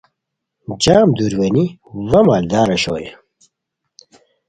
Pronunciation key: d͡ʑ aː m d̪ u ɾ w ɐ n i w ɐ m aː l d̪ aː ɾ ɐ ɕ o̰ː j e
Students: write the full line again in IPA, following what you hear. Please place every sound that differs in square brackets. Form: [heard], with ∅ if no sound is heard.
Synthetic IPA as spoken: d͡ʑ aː m d̪ u ɾ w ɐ n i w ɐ m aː l d̪ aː ɾ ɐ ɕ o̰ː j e